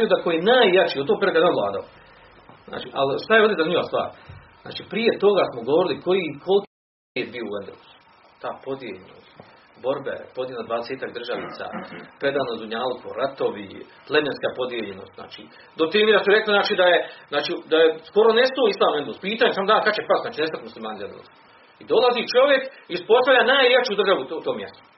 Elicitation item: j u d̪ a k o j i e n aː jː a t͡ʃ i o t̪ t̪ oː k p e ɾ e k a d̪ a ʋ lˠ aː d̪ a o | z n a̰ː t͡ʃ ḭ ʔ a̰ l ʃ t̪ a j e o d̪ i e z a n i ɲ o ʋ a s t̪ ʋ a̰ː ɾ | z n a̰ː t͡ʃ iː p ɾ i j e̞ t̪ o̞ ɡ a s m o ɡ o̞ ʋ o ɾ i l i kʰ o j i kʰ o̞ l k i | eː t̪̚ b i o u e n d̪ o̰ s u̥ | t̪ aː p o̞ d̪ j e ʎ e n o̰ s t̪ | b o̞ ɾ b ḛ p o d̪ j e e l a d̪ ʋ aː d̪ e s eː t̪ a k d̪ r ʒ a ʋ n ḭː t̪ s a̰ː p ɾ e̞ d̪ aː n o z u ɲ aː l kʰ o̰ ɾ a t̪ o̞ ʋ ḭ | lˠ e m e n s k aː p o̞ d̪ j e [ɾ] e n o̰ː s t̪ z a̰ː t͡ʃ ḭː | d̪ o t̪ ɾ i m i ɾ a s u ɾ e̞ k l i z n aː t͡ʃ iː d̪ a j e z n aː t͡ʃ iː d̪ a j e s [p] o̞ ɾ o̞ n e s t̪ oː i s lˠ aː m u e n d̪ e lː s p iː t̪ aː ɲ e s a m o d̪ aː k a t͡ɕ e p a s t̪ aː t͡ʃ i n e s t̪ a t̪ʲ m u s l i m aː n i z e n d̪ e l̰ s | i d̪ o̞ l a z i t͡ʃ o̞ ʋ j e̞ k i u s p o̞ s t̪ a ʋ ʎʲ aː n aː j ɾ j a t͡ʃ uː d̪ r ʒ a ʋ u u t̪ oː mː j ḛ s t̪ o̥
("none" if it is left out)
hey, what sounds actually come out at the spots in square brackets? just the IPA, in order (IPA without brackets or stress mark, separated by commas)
ʎ, k